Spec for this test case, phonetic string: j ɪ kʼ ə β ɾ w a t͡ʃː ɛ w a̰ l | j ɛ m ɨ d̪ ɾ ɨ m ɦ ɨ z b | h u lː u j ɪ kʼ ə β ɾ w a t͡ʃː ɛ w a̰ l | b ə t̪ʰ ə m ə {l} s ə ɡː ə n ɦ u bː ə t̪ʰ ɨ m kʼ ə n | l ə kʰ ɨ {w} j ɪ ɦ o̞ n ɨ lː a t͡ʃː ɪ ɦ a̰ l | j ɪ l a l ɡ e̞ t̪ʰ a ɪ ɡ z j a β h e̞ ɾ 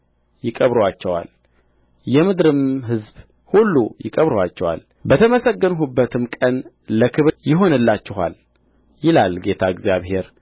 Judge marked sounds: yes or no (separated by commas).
no, no